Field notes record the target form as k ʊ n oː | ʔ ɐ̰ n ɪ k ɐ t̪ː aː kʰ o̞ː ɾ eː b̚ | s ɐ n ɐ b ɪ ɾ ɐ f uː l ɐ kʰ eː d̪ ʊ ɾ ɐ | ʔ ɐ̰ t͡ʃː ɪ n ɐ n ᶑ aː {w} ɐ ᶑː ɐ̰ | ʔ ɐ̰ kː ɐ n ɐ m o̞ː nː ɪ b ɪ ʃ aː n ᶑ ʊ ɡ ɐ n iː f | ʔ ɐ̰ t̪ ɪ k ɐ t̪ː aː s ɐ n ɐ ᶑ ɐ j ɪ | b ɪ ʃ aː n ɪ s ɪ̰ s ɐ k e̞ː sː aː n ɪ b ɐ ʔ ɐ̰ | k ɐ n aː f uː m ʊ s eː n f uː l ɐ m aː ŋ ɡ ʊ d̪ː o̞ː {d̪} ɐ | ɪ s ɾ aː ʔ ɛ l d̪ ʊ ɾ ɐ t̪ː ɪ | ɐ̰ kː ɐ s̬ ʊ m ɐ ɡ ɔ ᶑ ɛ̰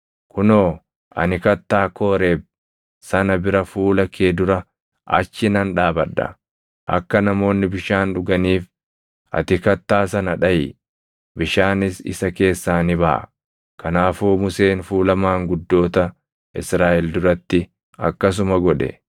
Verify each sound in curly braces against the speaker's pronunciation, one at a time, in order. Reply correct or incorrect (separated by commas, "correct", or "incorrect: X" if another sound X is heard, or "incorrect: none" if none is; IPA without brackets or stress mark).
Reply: incorrect: b, incorrect: t̪